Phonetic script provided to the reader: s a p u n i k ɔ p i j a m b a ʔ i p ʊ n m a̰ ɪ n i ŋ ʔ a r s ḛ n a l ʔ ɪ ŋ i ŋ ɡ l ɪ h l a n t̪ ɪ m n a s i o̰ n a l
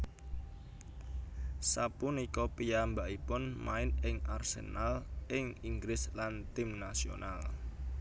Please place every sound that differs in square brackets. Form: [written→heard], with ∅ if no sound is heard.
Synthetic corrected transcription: s a p u n i k ɔ p i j a m b a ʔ i p ʊ n m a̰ ɪ n [i→ɪ] ŋ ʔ a r s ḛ n a l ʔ ɪ ŋ i ŋ ɡ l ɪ [h→s] l a n t̪ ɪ m n a s i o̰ n a l